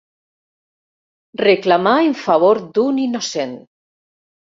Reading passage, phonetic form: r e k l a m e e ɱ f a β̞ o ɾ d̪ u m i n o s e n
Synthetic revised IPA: r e k l a m a e ɱ f a β̞ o ɾ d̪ u n i n o s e n